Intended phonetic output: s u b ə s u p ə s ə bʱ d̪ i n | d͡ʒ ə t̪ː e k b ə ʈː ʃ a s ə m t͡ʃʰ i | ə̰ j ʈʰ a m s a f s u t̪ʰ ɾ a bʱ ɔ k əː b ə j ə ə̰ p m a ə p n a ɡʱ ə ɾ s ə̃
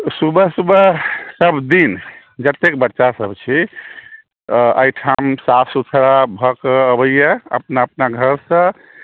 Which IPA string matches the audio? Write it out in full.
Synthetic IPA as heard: s u b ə s u b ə s ə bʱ d̪ i n | d͡ʒ ə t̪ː e k b ə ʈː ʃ a s ə b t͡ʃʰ i | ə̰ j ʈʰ a m s a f s u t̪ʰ ɾ a bʱ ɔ k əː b ə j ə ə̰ p n a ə p n a ɡʱ ə ɾ s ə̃